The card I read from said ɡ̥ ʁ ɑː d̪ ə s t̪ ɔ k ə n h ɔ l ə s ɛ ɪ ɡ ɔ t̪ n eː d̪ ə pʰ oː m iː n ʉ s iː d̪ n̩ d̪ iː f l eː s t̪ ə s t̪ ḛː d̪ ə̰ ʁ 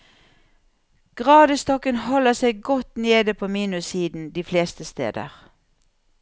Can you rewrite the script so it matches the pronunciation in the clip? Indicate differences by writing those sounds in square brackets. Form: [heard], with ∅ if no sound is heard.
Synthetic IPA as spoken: ɡ̥ ʁ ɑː d̪ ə s t̪ ɔ k ə n h ɔ l ə s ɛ ɪ ɡ ɔ t̪ n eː d̪ ə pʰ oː m iː n ʉ s iː d̪ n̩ d̪ iː f l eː s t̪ ə s t̪ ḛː d̪ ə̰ ʁ